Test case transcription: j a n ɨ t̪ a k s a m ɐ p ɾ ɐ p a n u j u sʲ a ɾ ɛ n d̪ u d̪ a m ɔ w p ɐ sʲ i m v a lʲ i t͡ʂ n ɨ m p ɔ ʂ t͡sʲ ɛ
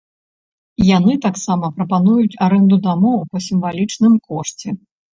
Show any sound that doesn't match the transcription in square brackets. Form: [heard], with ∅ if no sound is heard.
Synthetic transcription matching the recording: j a n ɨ t̪ a k s a m ɐ p ɾ ɐ p a n u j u [t͡sʲ] a ɾ ɛ n d̪ u d̪ a m ɔ w p ɐ sʲ i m v a lʲ i t͡ʂ n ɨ m [k] ɔ ʂ t͡sʲ ɛ